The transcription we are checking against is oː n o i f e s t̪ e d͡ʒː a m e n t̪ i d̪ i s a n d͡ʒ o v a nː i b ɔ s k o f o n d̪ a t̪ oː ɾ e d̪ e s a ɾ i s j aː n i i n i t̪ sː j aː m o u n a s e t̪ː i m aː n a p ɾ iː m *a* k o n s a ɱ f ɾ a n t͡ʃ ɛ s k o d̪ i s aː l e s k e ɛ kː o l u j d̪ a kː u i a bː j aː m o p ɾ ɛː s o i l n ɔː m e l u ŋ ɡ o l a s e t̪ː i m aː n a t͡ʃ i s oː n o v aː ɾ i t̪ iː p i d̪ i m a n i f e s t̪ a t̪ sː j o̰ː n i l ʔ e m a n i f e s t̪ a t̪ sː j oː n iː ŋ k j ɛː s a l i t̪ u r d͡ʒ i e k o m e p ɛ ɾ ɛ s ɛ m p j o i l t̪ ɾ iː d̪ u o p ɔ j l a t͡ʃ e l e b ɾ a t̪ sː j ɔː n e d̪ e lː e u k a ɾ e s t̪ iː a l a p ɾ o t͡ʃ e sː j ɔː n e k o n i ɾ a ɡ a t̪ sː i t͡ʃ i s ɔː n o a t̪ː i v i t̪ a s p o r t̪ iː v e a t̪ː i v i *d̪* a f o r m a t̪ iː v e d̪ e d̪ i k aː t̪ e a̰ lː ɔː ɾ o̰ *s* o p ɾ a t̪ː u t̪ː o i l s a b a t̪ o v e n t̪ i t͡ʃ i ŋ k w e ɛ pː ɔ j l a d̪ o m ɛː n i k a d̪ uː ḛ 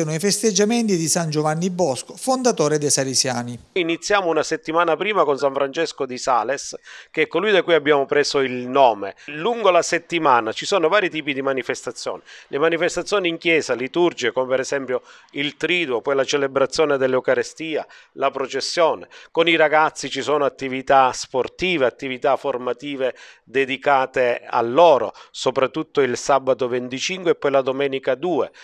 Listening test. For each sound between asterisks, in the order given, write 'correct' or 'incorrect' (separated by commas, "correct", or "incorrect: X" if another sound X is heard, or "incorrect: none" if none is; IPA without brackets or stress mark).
correct, incorrect: t̪, correct